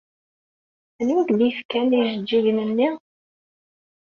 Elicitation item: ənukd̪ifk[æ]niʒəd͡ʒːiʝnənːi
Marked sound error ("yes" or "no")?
no